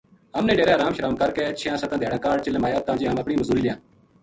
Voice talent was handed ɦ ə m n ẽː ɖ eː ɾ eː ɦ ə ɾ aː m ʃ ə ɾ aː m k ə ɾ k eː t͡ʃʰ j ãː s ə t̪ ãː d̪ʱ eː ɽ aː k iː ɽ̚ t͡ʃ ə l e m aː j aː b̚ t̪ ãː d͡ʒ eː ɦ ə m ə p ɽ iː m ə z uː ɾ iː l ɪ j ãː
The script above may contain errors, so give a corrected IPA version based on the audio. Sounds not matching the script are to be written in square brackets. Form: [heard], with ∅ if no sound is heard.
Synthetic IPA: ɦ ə m n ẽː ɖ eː ɾ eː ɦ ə ɾ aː m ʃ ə ɾ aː m k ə ɾ k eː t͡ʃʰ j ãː s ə t̪ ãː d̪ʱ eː ɽ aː k [aː] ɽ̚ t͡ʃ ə l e m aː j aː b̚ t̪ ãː d͡ʒ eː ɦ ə m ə p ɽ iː m ə z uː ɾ iː l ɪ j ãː